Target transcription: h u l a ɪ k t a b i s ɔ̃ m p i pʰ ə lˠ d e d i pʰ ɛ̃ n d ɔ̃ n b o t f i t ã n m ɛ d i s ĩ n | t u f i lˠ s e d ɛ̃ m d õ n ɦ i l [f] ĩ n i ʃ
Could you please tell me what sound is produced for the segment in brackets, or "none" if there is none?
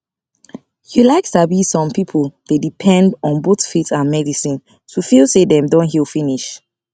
f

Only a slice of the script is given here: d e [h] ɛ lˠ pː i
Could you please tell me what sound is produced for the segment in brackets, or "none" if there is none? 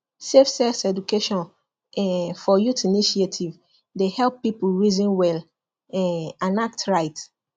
h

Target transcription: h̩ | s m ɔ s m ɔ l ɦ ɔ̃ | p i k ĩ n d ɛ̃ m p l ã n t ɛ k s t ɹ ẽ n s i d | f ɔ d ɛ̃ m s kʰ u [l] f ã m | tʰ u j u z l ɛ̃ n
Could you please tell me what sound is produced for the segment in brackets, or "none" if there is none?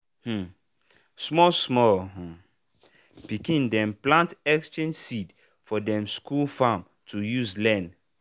l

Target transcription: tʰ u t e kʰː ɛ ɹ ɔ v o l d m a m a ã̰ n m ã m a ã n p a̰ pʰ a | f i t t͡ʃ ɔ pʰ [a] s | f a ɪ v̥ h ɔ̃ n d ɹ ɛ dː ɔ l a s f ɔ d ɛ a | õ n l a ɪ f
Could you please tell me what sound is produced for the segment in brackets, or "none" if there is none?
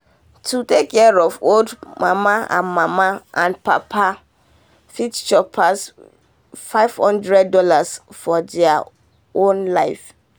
a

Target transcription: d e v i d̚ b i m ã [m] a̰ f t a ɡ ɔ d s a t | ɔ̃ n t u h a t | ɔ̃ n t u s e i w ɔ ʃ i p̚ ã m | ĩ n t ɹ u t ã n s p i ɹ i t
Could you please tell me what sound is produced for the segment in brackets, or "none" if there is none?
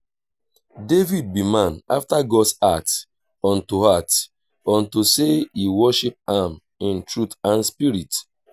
n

